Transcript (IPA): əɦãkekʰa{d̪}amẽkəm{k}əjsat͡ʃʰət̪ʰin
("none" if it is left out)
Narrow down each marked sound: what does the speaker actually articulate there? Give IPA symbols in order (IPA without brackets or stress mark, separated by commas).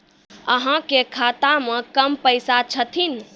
t̪, p